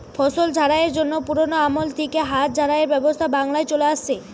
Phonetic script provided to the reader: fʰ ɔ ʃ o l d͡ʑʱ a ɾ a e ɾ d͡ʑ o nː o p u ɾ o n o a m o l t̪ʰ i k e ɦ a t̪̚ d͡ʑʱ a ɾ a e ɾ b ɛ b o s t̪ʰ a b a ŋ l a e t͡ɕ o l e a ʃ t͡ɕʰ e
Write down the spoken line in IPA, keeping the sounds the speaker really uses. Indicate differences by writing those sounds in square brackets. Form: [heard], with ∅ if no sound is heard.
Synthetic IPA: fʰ ɔ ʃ o l d͡ʑʱ a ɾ a e ɾ d͡ʑ o nː o p u ɾ o n o a m o l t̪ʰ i k e ɦ a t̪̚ d͡ʑʱ a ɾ a e ɾ b ɛ b o s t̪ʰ a b a ŋ l a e t͡ɕ o l e a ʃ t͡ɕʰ e

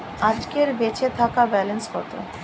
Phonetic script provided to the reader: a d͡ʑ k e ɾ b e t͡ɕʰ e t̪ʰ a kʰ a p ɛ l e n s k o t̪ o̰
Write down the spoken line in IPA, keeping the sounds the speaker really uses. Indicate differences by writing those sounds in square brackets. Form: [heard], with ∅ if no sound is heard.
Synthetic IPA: a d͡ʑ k e ɾ b e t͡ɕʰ e t̪ʰ a [k] a [b] ɛ l e n s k [ɔ] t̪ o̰

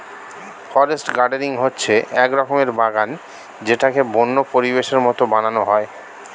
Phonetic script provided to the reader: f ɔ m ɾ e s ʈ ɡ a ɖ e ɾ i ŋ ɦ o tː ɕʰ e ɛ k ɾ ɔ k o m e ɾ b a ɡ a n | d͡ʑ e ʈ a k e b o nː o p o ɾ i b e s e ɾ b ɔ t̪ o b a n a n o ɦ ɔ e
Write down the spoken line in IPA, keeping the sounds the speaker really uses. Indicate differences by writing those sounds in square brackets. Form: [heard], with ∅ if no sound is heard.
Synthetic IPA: f ɔ [∅] ɾ e s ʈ ɡ a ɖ e ɾ i ŋ ɦ o tː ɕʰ e ɛ k ɾ ɔ k o m e ɾ b a ɡ a n | d͡ʑ e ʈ a k e b o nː o p o ɾ i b e [ʃ] e ɾ [m] ɔ t̪ o b a n a n o ɦ ɔ e

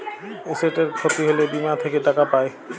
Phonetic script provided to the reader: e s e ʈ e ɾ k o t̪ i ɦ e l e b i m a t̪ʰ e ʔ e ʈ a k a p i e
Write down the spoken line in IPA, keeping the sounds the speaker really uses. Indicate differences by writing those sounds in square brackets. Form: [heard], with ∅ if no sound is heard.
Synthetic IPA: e s e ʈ e ɾ [kʰ] o t̪ i ɦ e l e b i m a t̪ʰ e [k] e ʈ a k a p [a] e

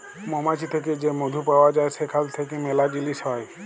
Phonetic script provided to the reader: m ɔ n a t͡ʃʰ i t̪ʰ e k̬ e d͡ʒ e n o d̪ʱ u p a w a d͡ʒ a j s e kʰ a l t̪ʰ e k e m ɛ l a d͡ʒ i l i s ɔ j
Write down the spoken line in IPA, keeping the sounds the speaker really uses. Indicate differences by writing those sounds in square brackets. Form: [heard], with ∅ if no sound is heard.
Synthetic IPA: m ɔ [m] a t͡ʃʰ i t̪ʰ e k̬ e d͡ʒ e [m] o d̪ʱ u p a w a d͡ʒ a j s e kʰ a l t̪ʰ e k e m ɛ l a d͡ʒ i l i s ɔ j

